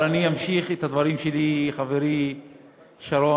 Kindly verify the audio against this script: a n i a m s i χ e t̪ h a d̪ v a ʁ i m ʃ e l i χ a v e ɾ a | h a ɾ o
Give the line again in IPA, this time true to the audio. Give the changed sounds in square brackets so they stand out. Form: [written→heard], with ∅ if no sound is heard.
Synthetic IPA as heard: a n i a m [s→ʃ] i χ e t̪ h a d̪ v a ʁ i m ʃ e l i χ a v e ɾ [a→i] | [h→ʃ] a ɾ o